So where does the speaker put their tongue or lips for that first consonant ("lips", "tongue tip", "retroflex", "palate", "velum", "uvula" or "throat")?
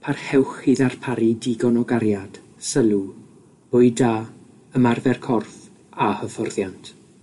lips